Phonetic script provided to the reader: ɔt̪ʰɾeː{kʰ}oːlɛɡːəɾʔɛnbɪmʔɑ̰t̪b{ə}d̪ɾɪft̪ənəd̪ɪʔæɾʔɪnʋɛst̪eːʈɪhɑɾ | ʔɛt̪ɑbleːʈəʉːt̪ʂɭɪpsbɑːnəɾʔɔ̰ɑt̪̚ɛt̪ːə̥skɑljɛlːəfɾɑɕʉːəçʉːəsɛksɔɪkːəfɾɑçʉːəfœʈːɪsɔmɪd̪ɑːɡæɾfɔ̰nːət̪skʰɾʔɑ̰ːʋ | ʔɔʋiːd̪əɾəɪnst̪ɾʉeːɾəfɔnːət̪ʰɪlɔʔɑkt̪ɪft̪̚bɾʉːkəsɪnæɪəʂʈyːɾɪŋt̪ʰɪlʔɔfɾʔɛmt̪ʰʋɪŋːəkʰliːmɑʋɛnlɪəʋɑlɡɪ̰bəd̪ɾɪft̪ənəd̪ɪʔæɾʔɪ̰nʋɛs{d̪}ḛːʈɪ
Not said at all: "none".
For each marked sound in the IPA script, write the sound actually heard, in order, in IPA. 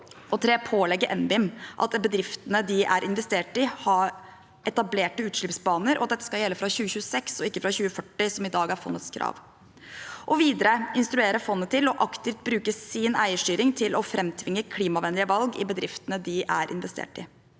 pʰ, ə, t̪

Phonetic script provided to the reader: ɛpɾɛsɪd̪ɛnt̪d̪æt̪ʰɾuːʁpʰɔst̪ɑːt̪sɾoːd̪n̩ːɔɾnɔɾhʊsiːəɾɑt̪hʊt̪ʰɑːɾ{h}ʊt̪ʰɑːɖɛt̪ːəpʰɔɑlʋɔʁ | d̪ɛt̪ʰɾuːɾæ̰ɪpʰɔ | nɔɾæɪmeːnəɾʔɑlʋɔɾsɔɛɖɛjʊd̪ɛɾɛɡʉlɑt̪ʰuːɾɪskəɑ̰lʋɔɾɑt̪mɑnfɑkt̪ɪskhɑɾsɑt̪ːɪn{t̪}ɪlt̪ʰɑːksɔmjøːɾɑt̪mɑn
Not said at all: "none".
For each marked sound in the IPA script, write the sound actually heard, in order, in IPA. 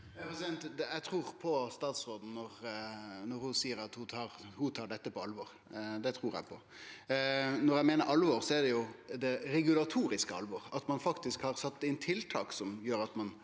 h, t̪ʰ

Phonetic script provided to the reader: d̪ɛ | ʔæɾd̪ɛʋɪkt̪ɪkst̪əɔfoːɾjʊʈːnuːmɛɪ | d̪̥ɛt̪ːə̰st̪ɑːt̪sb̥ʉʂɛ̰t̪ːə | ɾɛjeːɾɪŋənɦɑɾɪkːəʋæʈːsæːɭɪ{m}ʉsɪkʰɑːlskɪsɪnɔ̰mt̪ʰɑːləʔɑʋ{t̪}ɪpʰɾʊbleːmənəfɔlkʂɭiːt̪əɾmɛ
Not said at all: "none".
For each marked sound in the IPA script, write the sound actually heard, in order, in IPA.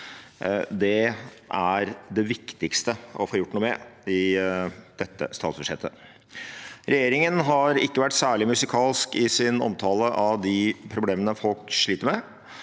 m, d̪

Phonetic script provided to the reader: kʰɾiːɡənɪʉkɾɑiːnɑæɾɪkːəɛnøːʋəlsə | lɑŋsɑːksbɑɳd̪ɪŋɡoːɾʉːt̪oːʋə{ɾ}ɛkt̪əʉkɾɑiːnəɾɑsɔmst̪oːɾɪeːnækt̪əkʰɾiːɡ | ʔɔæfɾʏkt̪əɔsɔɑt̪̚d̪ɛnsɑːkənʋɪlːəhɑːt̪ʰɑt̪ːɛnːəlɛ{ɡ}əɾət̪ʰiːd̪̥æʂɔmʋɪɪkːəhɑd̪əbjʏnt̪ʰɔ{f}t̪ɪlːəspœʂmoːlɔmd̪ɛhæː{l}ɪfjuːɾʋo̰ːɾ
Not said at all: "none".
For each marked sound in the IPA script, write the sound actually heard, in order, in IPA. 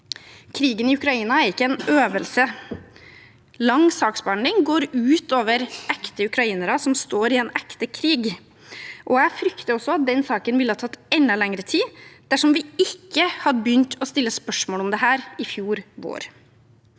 ɾ, ŋ, s, ɾ

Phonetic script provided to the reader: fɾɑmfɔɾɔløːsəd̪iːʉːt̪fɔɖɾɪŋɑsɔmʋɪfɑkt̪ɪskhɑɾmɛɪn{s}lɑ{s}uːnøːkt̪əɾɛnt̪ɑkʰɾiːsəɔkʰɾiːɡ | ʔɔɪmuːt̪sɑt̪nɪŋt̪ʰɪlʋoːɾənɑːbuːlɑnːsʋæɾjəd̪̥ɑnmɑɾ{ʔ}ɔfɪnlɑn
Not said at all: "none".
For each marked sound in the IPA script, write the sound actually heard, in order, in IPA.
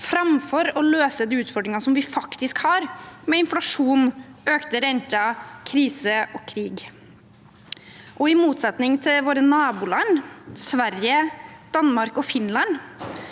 f, ʂ, k

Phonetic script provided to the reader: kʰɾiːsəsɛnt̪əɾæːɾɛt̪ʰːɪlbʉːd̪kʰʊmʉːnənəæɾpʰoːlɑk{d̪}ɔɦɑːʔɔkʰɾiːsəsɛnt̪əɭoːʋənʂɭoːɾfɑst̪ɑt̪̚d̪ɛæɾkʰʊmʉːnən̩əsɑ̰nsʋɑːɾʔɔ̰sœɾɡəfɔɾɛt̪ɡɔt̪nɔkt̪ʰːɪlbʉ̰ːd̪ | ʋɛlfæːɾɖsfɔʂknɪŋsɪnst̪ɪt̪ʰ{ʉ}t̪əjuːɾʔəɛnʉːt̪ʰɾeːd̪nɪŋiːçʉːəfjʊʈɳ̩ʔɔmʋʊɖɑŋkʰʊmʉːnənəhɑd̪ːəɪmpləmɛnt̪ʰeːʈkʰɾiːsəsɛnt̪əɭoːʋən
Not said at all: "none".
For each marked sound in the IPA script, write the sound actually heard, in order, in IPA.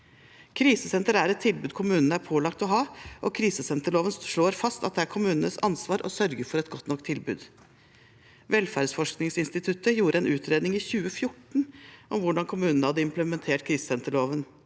t̪, ʉ

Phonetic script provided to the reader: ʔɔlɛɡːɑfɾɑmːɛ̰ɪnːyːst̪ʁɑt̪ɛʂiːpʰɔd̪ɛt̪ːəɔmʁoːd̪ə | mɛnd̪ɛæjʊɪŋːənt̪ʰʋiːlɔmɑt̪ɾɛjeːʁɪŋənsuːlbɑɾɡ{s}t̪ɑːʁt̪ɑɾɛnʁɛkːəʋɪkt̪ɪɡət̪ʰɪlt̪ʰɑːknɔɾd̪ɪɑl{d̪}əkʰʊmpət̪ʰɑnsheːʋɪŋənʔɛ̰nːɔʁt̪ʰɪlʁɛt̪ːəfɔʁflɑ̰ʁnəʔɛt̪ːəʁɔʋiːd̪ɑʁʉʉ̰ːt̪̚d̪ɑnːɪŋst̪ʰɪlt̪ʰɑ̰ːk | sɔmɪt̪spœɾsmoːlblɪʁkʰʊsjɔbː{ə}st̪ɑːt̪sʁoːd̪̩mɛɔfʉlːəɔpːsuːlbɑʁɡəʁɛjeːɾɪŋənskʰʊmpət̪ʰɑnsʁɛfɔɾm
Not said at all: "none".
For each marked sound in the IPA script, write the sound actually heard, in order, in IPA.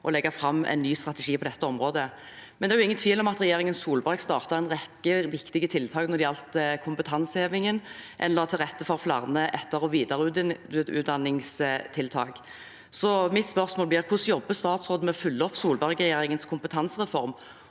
s, t̪, ə

